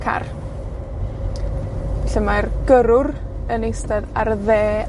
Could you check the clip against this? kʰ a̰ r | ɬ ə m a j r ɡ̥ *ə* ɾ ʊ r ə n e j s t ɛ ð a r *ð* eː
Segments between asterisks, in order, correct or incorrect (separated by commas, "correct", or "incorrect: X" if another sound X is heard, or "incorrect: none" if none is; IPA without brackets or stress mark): correct, correct